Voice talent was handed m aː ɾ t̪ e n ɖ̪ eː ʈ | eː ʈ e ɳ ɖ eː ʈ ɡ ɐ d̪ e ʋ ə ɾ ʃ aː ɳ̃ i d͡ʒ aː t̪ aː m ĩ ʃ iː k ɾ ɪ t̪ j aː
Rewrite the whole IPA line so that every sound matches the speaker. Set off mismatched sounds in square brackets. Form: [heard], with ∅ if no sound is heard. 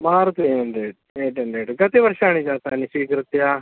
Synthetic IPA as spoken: m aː ɾ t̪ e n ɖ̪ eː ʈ | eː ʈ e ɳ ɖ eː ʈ ɡ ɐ [t̪] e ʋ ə ɾ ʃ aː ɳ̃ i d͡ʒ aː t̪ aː [n] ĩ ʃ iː k ɾ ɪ t̪ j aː